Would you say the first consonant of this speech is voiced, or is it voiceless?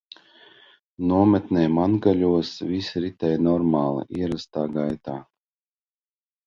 voiced